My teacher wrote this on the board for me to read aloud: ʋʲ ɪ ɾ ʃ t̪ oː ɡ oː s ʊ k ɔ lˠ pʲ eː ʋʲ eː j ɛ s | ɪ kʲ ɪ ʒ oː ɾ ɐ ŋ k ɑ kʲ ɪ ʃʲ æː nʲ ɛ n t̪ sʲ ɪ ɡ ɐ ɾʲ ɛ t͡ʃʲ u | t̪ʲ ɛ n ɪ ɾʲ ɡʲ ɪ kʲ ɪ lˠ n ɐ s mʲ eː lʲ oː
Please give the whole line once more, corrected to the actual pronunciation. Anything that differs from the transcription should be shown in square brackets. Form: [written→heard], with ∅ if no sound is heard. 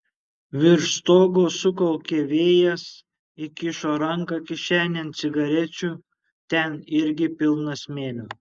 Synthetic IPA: ʋʲ ɪ ɾ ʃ t̪ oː ɡ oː s ʊ k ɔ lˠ [pʲ→kʲ] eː ʋʲ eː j ɛ s | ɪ kʲ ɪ [ʒ→ʃ] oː ɾ ɐ ŋ k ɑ kʲ ɪ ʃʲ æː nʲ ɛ n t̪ sʲ ɪ ɡ ɐ ɾʲ ɛ t͡ʃʲ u | t̪ʲ ɛ n ɪ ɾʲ ɡʲ ɪ [kʲ→pʲ] ɪ lˠ n ɐ s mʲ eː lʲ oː